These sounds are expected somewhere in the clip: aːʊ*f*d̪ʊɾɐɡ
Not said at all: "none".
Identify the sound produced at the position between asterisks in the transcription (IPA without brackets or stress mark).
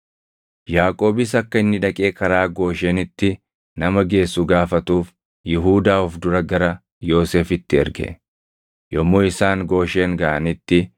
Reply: f